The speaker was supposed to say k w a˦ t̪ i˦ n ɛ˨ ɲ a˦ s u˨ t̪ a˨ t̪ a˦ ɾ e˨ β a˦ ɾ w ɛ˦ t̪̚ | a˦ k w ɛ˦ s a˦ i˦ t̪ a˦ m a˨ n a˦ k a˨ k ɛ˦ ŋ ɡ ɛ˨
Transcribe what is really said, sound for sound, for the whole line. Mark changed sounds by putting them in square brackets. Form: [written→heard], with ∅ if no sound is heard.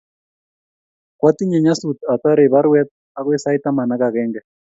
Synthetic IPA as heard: k w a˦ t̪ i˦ [n→ɲ] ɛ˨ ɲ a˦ s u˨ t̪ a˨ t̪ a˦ ɾ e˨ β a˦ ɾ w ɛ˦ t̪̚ | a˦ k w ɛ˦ s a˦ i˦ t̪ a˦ m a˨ n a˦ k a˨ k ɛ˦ ŋ ɡ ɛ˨